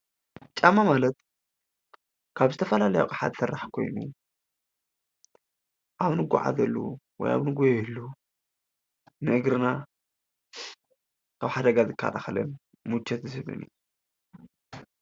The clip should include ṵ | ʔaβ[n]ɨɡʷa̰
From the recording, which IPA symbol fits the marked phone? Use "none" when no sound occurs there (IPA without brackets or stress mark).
n